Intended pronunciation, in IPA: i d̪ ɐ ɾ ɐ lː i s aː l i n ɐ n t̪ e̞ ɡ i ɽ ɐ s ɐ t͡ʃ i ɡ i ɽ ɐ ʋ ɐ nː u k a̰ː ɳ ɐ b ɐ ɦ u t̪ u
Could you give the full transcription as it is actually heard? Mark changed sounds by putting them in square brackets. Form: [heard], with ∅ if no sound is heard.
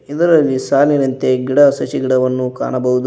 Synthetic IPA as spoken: i d̪ ɐ ɾ ɐ lː i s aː l i n ɐ n t̪ e̞ ɡ i ɽ ɐ s ɐ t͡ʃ i ɡ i ɽ ɐ ʋ ɐ nː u k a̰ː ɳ ɐ b ɐ ɦ u [d̪] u